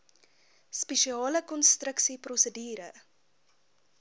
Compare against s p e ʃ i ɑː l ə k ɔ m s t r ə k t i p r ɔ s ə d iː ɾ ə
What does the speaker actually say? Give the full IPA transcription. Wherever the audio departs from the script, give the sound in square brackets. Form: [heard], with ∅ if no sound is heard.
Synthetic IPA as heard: s p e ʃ i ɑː l ə k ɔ [n] s t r ə k [s] i p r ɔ s ə d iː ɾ ə